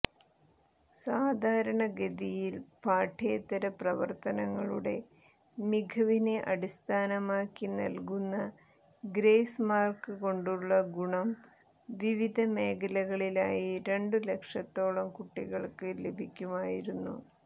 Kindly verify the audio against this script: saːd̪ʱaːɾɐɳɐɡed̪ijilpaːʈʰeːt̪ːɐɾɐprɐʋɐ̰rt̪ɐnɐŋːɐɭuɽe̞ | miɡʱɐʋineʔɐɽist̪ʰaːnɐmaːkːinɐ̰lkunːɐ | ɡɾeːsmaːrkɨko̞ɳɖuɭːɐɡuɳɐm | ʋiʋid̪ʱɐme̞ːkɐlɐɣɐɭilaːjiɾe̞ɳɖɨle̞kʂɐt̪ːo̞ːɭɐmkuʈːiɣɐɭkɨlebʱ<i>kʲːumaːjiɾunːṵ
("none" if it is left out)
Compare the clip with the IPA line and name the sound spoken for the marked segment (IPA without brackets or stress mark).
i